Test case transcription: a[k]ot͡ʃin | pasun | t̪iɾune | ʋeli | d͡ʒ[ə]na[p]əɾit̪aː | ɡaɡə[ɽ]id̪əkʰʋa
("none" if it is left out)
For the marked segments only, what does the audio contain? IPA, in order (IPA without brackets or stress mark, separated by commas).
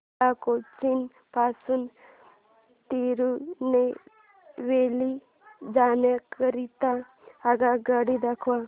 k, a, k, ɽ